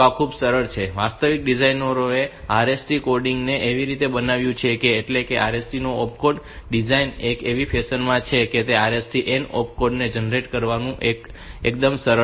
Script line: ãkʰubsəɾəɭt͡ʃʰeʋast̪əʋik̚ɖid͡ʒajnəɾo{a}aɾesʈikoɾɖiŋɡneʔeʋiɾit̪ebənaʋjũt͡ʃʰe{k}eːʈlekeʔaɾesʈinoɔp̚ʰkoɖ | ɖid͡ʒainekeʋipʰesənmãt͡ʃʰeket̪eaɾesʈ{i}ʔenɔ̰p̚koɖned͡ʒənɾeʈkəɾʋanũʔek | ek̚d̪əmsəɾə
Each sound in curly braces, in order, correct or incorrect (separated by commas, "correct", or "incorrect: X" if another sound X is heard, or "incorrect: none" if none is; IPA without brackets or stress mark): incorrect: e, correct, correct